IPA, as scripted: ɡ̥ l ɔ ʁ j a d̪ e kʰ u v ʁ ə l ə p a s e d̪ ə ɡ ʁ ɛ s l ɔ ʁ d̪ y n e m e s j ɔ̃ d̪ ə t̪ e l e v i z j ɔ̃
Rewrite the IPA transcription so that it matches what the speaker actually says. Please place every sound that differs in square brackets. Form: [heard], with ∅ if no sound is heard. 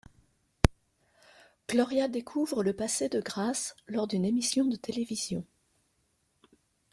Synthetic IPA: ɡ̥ l ɔ ʁ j a d̪ e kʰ u v ʁ ə l ə p a s e d̪ ə ɡ ʁ [a] s l ɔ ʁ d̪ y n e m [i] s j ɔ̃ d̪ ə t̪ e l e v i z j ɔ̃